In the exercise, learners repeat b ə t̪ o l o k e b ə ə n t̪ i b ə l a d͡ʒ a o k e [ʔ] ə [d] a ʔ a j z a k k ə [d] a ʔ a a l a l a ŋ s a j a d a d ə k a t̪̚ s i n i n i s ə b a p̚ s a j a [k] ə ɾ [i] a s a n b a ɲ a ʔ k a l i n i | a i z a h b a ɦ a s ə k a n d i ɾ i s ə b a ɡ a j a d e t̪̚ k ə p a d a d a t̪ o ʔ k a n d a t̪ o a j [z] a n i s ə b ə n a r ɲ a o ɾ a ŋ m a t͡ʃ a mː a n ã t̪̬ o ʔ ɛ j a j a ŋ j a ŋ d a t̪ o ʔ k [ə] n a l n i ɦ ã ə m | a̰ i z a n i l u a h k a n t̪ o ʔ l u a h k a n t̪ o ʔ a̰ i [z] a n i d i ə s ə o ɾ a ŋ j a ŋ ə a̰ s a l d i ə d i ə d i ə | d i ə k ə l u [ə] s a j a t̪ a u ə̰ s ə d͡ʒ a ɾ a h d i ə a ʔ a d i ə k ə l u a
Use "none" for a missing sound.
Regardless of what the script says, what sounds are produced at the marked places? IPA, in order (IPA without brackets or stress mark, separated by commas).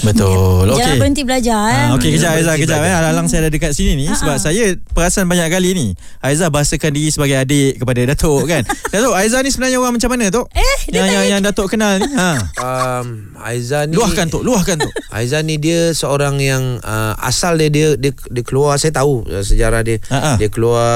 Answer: k, d͡ʒ, d͡ʒ, p, a, z, ə, z, a